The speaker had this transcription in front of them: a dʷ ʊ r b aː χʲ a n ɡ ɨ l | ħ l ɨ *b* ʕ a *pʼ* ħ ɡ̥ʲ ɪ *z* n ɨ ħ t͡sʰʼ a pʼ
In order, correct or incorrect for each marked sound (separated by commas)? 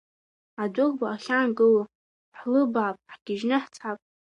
correct, correct, incorrect